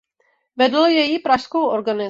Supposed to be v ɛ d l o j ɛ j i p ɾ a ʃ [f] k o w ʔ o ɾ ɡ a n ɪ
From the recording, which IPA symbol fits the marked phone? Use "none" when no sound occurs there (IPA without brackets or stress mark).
s